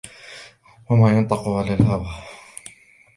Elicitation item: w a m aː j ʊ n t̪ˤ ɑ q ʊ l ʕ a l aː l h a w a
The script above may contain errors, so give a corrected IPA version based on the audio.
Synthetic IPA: w a m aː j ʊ n t̪ˤ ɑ q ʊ ʕ a l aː l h a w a